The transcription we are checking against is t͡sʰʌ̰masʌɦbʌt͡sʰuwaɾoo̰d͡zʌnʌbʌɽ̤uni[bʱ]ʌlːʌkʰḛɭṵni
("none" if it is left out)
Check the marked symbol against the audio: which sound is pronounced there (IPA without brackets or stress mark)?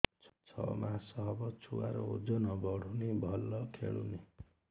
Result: bʱ